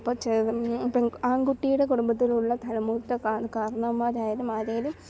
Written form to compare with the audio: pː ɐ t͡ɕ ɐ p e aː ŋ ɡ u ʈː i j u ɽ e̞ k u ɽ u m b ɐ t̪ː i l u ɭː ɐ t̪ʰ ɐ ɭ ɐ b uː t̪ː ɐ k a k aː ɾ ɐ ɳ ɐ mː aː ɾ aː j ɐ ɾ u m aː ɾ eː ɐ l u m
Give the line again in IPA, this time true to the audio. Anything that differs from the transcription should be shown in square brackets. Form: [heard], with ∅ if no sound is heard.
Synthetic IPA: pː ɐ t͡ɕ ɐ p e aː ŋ ɡ u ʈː i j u ɽ e̞ k u ɽ u m b ɐ t̪ː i l u ɭː ɐ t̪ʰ ɐ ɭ ɐ [m] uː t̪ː ɐ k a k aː ɾ ɐ ɳ ɐ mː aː ɾ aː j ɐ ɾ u m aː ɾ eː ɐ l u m